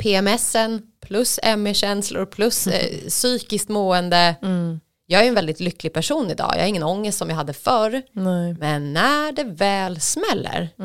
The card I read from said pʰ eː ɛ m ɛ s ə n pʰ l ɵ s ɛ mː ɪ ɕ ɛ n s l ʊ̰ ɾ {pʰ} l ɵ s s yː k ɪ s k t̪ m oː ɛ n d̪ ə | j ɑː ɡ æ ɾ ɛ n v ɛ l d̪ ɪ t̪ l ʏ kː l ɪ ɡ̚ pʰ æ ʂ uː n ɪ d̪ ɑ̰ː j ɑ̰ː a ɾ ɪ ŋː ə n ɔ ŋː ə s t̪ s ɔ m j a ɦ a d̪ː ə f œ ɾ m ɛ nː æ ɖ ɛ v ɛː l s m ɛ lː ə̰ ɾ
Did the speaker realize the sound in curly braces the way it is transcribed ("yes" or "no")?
yes